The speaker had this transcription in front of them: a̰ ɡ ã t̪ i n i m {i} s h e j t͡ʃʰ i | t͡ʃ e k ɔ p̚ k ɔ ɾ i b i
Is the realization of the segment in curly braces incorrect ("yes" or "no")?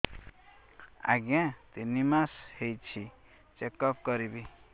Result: yes